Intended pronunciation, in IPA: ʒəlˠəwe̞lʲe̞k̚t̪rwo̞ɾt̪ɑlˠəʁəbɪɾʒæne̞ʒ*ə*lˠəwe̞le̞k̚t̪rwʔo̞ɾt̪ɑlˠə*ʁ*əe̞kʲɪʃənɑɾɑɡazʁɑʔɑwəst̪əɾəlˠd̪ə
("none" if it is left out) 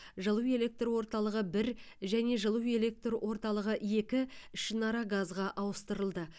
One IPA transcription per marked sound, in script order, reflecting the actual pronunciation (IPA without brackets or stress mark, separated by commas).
ə, ʁ